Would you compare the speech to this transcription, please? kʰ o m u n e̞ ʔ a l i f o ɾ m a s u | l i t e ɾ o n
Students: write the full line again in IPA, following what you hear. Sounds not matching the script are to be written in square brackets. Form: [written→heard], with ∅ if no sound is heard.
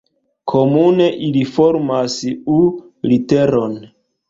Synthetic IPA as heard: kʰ o m u n e̞ ʔ [a→i] l i f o ɾ m a s u | l i t e ɾ o n